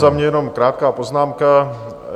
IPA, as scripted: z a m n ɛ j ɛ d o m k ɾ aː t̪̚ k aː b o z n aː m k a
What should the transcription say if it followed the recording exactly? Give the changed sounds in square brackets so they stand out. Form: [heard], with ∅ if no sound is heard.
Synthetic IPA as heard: z a m [ɲ] ɛ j ɛ [n] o m k ɾ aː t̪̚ k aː [p] o z n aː m k a